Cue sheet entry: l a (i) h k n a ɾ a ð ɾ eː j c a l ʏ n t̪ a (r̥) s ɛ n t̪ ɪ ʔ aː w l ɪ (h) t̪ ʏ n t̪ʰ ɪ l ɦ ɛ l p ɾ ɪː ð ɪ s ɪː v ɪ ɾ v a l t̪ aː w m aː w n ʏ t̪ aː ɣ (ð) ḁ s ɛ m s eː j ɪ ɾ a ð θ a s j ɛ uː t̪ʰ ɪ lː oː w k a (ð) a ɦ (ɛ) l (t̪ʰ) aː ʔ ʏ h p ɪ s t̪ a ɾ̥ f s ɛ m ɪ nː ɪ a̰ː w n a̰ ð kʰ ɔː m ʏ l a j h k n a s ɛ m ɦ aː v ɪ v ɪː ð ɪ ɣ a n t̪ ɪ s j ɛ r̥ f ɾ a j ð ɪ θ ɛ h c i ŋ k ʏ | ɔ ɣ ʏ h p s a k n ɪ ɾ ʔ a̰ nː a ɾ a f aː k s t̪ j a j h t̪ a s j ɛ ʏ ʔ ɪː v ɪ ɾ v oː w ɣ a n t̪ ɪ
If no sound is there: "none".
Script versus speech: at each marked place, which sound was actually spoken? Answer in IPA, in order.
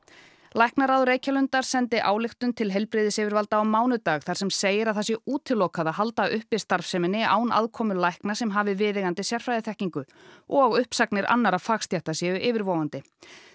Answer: j, ɾ̥, x, θ, ð, a, t̪

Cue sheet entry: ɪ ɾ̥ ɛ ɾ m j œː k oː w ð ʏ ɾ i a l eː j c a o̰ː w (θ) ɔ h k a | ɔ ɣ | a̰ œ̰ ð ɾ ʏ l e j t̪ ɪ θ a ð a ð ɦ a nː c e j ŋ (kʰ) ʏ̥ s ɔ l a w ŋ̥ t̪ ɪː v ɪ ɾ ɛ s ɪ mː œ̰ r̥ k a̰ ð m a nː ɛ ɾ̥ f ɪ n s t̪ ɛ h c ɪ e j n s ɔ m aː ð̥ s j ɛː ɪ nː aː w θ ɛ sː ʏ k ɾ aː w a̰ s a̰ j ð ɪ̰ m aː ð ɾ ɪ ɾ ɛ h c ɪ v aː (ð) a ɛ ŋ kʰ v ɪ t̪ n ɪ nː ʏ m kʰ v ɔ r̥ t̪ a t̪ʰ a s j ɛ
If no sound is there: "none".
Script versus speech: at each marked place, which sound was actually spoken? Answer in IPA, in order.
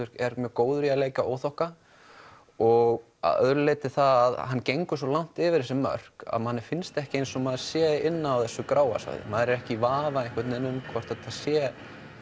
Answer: θ, k, v

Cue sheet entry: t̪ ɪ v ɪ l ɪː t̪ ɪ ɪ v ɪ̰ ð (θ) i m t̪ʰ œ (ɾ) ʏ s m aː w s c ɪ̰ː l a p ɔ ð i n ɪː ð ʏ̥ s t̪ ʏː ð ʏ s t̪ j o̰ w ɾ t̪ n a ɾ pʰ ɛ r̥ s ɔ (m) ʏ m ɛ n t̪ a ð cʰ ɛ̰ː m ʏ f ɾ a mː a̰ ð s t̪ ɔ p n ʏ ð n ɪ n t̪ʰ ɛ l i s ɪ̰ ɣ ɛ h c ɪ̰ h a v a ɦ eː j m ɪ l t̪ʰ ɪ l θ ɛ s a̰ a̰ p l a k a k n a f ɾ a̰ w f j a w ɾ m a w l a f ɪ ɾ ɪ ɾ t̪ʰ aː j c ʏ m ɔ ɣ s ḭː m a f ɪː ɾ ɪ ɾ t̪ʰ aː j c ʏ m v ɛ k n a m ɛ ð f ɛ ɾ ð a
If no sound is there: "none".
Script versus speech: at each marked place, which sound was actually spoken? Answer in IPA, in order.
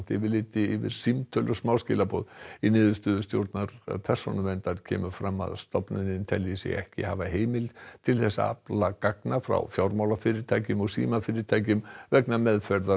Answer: s, l, n

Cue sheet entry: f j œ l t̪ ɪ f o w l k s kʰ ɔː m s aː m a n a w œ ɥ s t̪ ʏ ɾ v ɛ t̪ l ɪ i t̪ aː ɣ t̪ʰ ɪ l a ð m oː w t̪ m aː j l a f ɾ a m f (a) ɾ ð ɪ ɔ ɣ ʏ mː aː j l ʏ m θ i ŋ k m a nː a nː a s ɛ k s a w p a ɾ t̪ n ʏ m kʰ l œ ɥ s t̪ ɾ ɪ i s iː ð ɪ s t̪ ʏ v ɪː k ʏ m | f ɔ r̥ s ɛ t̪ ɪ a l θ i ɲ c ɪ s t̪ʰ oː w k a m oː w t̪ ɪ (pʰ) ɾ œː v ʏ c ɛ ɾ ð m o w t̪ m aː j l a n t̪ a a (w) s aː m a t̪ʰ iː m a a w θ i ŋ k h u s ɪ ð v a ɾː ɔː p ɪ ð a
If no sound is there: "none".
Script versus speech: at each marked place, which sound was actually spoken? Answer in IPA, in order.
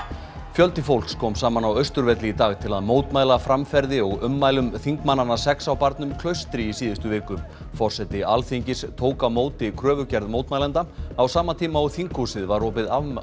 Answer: ɛ, kʰ, w

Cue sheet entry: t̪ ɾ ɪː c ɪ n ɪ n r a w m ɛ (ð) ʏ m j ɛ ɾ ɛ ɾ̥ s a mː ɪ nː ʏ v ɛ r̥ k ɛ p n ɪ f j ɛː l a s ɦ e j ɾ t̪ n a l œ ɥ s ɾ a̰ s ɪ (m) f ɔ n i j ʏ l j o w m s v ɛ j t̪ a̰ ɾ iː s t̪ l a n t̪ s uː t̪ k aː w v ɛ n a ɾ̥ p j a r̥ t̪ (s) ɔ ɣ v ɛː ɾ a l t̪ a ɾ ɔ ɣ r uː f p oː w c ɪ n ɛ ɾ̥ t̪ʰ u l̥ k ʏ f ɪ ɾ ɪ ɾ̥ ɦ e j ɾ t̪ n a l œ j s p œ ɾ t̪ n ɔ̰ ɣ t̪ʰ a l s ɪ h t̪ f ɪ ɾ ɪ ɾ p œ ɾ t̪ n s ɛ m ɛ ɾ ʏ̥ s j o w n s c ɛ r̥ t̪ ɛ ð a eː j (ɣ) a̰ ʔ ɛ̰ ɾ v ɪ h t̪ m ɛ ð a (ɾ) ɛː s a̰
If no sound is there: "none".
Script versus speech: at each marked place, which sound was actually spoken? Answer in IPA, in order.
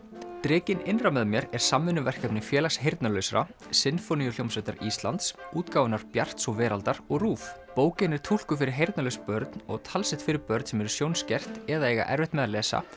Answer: ð, n, s, ɣ, l

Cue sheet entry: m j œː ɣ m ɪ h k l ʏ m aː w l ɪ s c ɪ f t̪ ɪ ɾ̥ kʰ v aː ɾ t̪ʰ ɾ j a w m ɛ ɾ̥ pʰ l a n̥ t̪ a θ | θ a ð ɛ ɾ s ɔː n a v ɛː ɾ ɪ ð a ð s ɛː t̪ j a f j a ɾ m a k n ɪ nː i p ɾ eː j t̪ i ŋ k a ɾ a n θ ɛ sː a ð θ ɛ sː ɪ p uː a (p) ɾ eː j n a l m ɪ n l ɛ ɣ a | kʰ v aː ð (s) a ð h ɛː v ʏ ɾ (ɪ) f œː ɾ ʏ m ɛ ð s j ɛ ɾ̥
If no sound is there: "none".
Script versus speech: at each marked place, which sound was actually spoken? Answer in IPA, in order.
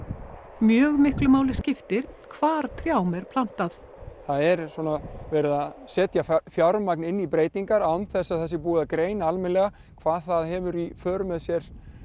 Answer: k, θ, i

